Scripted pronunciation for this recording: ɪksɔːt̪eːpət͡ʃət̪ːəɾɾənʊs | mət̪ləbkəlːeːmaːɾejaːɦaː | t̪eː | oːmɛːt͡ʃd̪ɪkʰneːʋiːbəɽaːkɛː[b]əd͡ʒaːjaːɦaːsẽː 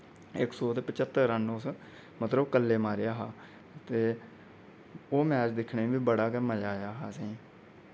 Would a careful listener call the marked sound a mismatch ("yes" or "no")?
yes